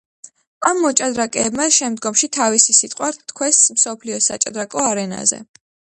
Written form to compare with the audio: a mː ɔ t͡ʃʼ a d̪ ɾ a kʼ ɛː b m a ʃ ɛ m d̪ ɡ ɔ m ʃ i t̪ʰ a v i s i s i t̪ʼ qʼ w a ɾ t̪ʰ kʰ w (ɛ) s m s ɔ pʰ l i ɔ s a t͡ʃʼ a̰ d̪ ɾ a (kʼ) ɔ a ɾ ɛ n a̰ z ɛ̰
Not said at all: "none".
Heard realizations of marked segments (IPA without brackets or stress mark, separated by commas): ɛ, kʼ